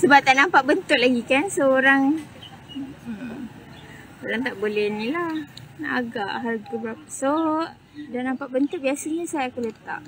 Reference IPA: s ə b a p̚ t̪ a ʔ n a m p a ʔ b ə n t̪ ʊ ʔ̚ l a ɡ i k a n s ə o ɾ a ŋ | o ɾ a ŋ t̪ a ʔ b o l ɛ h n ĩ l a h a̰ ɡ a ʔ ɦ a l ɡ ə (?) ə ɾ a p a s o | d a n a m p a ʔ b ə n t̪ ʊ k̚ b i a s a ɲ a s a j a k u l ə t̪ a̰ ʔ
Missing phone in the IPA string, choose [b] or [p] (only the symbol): b